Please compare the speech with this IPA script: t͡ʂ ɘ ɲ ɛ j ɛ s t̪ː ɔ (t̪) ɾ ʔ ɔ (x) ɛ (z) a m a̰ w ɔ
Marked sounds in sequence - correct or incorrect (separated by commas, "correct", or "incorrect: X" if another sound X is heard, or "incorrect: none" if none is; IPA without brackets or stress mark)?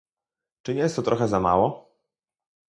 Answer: correct, correct, correct